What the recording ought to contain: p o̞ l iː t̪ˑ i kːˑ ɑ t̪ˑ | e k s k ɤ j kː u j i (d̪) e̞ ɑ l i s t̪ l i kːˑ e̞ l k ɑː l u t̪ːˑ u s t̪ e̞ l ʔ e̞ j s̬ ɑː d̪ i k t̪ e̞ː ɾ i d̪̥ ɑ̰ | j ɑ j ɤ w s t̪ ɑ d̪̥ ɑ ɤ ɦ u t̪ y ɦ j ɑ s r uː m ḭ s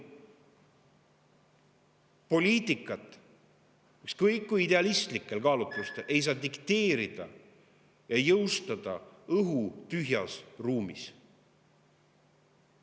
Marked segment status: correct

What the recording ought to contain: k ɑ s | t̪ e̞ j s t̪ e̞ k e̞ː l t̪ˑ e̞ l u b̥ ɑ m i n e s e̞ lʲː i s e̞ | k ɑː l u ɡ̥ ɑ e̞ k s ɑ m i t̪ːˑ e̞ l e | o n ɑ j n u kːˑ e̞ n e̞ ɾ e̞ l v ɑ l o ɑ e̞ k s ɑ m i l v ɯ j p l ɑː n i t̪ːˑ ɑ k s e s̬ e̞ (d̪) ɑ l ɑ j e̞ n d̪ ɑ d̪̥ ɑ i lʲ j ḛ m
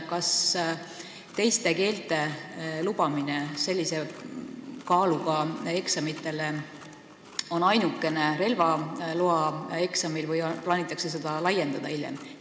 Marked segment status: correct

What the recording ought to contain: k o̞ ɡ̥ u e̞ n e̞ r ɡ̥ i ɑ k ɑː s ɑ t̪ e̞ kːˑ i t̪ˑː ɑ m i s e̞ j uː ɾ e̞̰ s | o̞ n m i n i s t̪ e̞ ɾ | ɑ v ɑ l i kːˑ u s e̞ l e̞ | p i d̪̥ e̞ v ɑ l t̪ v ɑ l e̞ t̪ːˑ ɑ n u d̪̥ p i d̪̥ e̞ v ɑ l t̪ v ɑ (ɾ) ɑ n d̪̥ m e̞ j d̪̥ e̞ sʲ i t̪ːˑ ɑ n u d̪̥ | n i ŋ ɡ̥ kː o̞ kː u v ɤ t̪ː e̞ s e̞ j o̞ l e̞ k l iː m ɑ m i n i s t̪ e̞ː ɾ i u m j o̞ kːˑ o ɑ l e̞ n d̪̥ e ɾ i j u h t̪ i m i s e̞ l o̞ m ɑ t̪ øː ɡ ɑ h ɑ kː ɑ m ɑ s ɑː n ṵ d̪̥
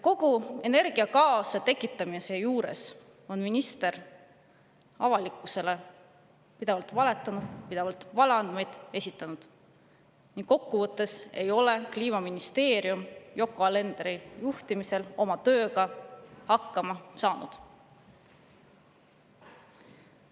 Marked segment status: incorrect: l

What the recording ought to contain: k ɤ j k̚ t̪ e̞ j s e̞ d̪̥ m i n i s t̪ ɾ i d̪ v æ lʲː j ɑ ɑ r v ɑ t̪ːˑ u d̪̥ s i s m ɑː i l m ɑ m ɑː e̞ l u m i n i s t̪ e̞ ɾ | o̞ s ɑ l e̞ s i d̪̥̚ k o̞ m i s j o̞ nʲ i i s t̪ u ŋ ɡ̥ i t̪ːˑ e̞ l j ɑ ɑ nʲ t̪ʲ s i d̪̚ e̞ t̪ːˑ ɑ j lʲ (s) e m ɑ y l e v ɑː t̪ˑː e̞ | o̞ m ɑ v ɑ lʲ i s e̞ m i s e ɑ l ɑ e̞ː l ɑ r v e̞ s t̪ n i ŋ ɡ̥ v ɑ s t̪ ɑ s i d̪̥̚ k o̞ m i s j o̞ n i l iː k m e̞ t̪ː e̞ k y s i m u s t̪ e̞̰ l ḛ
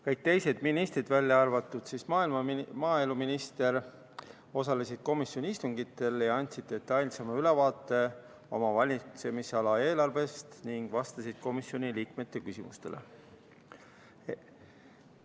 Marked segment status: correct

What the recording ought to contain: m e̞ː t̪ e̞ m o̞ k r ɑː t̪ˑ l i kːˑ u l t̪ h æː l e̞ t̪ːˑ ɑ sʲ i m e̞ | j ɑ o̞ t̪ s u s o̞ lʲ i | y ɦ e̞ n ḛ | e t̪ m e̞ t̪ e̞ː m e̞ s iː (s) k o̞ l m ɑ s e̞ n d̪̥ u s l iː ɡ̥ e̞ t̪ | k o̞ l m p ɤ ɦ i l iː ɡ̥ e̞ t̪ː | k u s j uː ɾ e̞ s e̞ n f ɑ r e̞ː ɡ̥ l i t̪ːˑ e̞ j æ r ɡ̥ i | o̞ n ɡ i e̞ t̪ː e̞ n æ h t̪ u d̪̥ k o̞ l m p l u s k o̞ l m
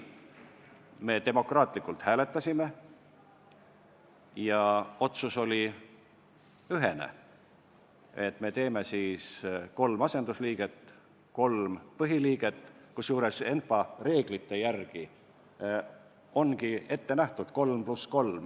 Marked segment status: correct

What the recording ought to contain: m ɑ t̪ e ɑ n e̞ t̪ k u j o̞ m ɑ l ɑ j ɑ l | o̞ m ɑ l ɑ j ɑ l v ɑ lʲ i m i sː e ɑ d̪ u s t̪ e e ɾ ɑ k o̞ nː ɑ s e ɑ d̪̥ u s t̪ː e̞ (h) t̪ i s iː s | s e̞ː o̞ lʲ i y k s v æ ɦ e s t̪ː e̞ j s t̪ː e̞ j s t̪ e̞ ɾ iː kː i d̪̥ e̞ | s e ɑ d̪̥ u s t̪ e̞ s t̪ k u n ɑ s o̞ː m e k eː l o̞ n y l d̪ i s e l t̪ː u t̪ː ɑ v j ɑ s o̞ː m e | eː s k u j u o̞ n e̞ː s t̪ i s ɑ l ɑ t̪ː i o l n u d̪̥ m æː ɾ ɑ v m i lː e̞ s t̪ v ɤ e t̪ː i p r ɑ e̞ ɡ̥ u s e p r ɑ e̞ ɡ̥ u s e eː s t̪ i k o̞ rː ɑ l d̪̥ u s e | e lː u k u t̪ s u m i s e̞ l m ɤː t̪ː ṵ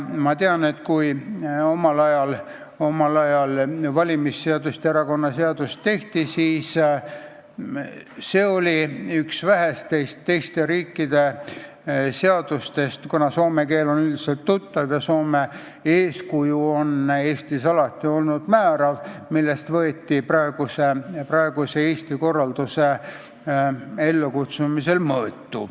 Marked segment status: correct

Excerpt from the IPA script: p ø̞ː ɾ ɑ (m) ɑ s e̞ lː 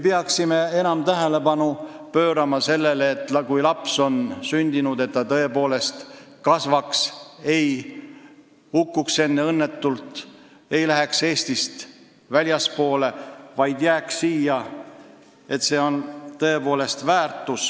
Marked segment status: correct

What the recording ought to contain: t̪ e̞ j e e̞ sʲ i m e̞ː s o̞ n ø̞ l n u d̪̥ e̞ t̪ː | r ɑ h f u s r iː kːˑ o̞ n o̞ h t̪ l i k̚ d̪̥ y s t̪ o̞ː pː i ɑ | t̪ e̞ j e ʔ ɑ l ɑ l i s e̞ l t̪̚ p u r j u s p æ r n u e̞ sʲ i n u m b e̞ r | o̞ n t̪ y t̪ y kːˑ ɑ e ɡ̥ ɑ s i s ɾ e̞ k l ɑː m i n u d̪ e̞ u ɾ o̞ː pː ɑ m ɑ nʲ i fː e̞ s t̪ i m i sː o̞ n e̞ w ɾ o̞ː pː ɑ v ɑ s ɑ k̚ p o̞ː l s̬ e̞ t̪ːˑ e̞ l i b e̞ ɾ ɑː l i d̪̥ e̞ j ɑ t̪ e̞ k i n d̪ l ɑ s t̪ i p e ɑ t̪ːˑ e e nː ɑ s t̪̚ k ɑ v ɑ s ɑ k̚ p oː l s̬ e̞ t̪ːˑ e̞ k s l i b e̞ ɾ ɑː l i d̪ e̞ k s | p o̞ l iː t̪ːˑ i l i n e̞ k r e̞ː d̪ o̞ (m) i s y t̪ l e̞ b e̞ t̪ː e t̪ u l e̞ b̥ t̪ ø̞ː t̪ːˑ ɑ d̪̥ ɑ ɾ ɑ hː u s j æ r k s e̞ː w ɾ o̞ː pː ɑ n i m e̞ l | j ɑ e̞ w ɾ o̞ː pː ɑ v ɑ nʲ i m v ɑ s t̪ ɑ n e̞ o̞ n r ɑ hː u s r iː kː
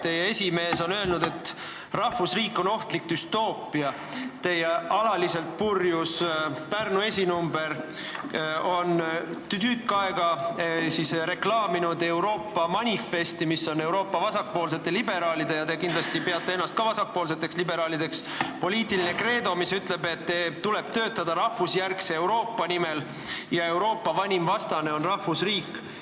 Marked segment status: correct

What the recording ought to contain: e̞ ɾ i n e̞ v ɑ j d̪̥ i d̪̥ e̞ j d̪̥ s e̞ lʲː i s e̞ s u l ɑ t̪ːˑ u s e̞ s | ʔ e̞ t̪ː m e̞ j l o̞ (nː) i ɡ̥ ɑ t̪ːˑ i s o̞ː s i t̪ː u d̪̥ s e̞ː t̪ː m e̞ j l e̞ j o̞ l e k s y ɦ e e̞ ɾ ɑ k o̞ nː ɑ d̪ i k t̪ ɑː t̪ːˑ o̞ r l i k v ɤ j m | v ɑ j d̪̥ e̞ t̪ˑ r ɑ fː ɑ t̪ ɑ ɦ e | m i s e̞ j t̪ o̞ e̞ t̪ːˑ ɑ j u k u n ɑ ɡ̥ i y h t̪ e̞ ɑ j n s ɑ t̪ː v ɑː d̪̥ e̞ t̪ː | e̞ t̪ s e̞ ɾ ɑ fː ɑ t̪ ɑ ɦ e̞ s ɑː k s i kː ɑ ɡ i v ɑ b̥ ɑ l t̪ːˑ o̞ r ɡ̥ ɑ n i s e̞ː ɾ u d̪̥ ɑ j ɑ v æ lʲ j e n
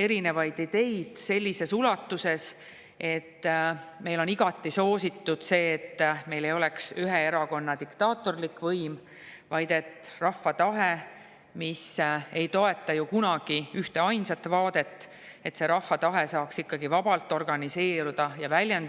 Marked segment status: incorrect: n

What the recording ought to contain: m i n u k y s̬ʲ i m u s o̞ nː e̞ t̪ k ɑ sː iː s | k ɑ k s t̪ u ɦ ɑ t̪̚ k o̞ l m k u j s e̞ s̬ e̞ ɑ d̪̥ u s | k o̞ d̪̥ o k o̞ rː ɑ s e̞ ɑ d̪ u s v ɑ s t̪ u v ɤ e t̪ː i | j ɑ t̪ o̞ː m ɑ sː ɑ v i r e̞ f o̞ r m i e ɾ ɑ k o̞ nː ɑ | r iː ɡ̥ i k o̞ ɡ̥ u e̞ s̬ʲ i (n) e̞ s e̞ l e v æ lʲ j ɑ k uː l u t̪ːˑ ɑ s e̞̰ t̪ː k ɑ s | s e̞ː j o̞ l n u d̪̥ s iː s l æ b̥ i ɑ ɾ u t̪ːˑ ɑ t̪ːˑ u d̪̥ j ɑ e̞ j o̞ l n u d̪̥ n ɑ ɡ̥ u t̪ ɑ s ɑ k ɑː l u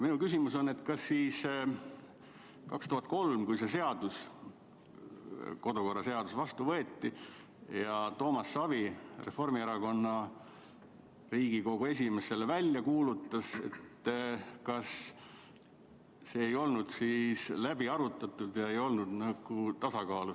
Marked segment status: incorrect: m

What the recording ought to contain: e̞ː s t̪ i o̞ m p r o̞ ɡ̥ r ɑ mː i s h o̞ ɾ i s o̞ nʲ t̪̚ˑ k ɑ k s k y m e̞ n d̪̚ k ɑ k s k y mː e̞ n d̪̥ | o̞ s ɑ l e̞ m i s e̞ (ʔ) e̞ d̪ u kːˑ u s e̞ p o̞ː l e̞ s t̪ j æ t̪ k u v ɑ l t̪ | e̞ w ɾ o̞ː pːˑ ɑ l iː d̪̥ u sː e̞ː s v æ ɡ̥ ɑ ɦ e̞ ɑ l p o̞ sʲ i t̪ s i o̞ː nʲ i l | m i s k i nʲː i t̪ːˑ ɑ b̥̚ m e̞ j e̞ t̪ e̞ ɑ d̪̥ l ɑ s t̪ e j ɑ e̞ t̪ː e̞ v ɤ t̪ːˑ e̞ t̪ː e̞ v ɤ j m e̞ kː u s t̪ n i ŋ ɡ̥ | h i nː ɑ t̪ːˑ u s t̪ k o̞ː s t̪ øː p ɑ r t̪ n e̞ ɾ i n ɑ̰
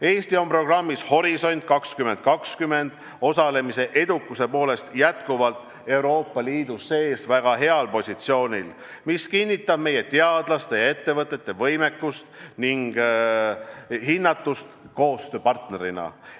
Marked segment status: correct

